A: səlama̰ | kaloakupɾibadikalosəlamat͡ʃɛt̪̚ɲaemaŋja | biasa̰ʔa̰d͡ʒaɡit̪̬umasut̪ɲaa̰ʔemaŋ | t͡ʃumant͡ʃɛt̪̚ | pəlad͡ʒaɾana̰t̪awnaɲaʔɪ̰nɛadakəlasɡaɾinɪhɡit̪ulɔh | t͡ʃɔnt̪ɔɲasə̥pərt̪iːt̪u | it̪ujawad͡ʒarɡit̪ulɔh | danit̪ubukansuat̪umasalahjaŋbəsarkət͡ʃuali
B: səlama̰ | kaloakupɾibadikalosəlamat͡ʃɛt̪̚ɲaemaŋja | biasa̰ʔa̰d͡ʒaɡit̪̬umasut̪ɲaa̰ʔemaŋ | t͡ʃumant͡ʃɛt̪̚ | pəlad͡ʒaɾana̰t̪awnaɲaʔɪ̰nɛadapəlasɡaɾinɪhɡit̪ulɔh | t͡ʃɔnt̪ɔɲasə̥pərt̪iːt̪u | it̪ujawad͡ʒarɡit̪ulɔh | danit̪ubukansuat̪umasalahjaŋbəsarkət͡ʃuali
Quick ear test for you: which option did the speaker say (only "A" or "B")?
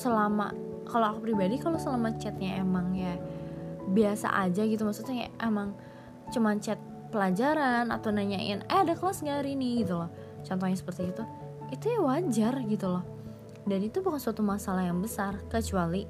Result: A